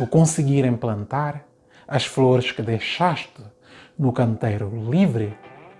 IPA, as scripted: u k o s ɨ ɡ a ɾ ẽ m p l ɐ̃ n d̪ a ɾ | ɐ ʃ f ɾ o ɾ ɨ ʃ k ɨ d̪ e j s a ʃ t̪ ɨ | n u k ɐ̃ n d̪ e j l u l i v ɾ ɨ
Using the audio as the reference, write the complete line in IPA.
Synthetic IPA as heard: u k õ s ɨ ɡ i ɾ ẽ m p l ɐ̃ n t̪ a ɾ | ɐ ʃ f l o ɾ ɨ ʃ k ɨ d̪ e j ʃ a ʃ t̪ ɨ | n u k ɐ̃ n t̪ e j ɾ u l i v ɾ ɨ